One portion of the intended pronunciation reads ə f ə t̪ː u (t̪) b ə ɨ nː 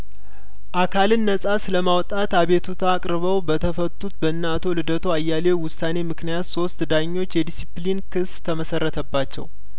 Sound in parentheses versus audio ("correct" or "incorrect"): correct